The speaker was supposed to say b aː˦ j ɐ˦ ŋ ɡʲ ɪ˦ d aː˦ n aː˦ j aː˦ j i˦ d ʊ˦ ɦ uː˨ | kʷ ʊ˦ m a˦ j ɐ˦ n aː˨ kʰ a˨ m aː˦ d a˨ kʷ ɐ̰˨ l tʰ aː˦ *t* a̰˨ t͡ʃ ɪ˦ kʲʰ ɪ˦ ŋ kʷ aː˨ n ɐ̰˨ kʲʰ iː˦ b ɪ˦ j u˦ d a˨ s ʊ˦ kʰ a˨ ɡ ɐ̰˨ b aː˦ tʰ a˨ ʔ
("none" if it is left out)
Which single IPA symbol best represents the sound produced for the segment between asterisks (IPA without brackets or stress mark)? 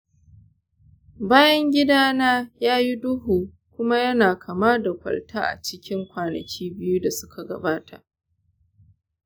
ʔ